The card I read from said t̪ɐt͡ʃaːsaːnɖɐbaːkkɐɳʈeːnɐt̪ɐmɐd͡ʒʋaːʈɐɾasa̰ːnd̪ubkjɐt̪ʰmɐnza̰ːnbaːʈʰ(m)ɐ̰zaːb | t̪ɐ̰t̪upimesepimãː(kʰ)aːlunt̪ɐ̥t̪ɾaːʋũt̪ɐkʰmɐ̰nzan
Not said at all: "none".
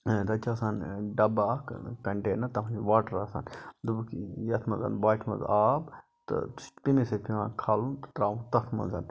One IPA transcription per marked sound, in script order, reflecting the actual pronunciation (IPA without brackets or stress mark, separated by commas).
m, kʰ